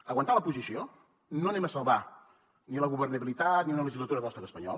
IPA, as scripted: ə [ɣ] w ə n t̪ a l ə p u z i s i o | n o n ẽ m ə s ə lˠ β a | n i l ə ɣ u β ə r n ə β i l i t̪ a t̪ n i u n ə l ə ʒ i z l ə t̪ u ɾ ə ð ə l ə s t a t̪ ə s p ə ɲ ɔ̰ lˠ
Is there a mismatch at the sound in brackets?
no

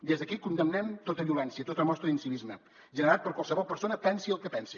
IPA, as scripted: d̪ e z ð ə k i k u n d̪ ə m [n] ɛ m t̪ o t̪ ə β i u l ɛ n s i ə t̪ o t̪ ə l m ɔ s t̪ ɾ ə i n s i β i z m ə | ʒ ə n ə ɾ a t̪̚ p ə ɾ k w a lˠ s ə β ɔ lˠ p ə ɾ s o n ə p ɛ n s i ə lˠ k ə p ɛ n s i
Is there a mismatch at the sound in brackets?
no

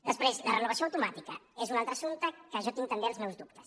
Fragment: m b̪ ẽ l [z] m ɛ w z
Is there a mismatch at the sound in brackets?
no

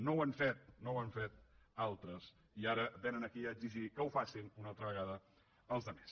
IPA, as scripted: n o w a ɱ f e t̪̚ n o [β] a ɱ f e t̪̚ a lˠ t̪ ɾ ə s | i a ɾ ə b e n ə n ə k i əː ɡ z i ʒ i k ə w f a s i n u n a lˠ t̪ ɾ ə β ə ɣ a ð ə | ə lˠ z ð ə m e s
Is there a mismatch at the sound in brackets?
yes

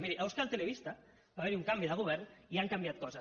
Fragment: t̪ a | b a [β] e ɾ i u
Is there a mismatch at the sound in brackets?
no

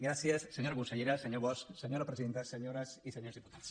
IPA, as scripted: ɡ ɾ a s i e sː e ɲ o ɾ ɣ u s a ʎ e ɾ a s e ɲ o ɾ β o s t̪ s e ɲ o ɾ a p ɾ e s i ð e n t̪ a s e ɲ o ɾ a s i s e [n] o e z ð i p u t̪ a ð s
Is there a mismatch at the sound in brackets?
yes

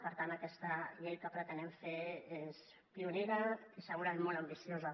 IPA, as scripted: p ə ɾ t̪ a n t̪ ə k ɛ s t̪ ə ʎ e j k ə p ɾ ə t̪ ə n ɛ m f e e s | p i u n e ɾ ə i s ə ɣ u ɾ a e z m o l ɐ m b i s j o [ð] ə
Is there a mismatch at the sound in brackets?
yes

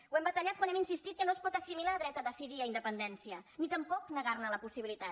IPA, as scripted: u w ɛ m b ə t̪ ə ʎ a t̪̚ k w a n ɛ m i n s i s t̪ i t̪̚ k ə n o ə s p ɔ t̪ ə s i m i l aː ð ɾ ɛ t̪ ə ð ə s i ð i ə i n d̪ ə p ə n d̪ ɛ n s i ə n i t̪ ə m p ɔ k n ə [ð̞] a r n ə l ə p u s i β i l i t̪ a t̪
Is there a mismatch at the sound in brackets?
yes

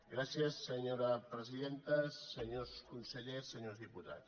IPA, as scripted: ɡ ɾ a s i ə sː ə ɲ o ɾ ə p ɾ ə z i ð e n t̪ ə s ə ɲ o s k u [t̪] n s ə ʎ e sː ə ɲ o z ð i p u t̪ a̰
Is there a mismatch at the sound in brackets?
yes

